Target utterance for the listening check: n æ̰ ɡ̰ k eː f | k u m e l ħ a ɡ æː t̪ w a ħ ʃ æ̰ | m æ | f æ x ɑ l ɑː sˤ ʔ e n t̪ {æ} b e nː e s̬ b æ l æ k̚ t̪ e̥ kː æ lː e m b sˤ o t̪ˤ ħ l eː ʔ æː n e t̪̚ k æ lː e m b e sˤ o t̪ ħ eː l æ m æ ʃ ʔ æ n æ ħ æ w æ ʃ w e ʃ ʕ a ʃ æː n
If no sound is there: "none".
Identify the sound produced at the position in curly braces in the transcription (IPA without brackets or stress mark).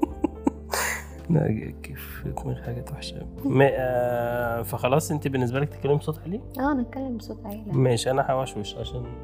i